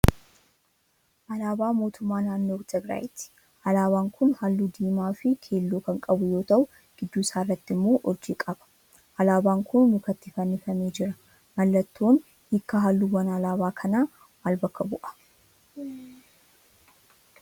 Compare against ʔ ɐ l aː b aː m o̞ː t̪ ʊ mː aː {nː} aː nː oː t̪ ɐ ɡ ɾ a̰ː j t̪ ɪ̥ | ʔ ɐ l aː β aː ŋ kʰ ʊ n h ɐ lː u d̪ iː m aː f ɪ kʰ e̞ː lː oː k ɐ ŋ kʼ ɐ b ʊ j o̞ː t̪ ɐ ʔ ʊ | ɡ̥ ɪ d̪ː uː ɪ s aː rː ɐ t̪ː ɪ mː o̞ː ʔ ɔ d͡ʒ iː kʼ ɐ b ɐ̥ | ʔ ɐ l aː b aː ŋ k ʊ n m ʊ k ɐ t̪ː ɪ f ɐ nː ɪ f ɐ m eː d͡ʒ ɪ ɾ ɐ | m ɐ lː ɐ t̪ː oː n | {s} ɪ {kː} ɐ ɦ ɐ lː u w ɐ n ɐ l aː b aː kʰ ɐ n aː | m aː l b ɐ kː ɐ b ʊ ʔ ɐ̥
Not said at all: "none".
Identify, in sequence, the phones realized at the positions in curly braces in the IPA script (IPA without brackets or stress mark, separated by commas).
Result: n, h, kː